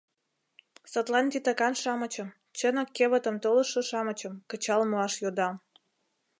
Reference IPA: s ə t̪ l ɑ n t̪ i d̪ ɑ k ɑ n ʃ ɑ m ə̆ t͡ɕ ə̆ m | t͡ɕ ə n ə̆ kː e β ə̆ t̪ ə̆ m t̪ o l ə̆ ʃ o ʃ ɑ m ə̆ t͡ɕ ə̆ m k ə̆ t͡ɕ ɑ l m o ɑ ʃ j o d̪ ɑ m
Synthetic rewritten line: s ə t̪ l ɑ n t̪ i t̪ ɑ k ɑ n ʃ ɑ m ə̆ t͡ɕ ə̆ m | t͡ɕ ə n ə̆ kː e β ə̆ t̪ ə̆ m t̪ o l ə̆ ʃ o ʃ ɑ m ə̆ t͡ɕ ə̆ m k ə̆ t͡ɕ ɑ l m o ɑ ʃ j o d̪ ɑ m